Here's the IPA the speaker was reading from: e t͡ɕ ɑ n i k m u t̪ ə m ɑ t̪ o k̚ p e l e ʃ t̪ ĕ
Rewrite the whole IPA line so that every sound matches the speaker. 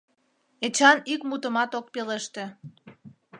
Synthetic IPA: e t͡ɕ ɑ n i k m u t̪ ə m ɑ t̪ o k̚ p e l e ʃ t̪ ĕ